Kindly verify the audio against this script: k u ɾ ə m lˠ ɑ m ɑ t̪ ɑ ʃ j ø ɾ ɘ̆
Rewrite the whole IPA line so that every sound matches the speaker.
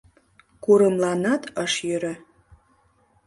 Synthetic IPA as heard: k u ɾ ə m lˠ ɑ n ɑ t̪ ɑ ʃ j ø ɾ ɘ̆

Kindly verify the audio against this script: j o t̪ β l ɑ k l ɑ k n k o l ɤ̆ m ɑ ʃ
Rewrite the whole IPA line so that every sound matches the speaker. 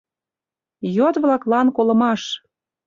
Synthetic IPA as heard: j o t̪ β l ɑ k l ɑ n k o l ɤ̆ m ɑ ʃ

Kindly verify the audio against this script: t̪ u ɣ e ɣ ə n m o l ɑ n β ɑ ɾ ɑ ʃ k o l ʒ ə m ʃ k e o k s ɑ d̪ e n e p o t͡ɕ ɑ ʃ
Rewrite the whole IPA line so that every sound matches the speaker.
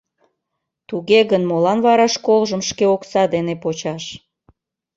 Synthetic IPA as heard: t̪ u ɣ e ɣ ə n m o l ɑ n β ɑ ɾ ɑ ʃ k o l ʒ ə m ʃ k e o k s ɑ d̪ e n e p o t͡ɕ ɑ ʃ

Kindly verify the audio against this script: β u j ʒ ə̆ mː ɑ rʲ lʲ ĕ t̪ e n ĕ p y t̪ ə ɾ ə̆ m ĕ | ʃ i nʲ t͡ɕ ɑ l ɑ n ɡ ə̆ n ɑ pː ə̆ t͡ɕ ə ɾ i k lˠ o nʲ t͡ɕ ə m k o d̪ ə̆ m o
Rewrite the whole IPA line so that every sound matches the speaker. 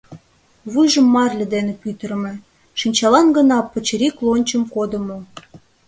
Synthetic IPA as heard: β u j ʒ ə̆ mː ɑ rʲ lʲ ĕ d̪ e n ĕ p y t̪ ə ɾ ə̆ m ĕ | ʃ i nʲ t͡ɕ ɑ l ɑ n ɡ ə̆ n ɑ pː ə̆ t͡ɕ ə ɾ i k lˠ o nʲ t͡ɕ ə m k o d̪ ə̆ m o

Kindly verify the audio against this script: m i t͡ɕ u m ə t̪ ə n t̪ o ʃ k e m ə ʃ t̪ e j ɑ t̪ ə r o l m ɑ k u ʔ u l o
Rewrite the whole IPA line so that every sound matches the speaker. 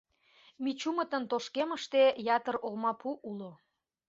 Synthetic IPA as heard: m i t͡ɕ u m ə t̪ ə n t̪ o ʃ k e m ə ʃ t̪ e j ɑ t̪ ə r o l m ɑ p u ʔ u l o

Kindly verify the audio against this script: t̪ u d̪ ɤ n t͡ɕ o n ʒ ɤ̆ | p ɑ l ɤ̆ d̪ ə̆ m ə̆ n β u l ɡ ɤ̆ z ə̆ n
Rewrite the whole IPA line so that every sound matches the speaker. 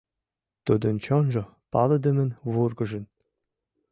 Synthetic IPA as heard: t̪ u d̪ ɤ n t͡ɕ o n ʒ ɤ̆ | p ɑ l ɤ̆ d̪ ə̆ m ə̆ n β u r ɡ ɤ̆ ʒ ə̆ n

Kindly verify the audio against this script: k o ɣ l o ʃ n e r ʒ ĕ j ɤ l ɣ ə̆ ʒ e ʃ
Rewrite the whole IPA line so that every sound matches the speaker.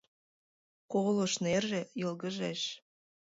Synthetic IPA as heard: k o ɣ l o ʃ n e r ʒ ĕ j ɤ l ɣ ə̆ ʒ e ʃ

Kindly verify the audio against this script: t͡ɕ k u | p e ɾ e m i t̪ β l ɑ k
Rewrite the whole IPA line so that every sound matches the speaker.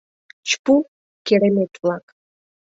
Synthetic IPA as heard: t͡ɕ p u | k e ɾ e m e t̪ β l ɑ k

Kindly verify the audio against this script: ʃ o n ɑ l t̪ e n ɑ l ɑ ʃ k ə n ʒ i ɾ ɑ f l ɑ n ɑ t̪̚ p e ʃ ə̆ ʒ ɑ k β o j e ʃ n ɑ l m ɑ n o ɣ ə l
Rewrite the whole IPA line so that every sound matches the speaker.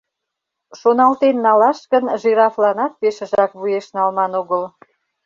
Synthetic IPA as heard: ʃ o n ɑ l t̪ e nː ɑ l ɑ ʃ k ə n ʒ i ɾ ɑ f l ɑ n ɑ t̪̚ p e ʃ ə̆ ʒ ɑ k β u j e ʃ n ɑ l m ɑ n o ɣ ə l

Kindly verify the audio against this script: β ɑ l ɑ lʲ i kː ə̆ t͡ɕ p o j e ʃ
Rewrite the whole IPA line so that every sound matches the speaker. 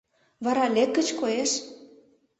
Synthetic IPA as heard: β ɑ ɾ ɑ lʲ e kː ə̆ t͡ɕ k o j e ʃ

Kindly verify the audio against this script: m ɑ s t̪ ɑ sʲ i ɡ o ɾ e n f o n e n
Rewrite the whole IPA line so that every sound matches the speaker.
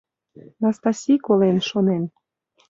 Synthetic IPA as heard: n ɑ s t̪ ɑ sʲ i k o l e n ʃ o n e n

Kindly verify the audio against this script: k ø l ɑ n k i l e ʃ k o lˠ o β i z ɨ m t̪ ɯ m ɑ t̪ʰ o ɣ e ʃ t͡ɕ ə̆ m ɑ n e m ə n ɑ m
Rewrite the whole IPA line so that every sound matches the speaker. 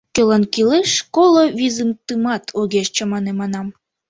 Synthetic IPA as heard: k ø l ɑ n k i l e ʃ k o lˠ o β i z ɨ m t̪ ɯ m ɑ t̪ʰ o ɣ e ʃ t͡ɕ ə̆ m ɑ n e m ɑ n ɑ m

